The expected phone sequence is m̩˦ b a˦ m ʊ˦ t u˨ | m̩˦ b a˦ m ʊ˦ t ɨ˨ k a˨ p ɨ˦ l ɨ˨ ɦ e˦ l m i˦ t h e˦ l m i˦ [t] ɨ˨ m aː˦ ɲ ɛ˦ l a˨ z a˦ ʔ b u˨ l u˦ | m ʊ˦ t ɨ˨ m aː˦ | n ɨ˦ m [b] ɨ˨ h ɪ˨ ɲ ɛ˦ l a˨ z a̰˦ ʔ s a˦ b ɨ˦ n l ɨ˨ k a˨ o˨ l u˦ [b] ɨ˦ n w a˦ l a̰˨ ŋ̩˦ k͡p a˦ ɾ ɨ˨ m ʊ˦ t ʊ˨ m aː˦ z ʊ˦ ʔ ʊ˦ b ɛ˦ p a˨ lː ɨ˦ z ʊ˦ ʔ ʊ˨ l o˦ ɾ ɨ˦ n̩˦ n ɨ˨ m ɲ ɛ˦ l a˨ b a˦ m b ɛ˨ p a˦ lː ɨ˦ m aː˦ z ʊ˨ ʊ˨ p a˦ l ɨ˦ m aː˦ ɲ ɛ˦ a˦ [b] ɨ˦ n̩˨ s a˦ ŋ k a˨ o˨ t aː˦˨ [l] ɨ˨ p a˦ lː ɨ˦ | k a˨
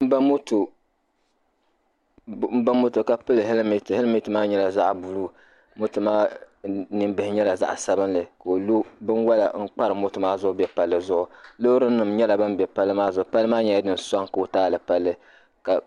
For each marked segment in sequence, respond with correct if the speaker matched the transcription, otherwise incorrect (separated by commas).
correct, correct, correct, incorrect, correct